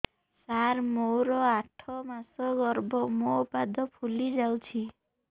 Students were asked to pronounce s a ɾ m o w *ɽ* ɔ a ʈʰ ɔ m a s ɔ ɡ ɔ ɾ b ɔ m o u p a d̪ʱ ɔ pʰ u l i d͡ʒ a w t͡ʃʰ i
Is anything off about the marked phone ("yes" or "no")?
yes